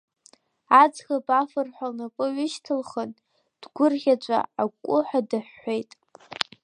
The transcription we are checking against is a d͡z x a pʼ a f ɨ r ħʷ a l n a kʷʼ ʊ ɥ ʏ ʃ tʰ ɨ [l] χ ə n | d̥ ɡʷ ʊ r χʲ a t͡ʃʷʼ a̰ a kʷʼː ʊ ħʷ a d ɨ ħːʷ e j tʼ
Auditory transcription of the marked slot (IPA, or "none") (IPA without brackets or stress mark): l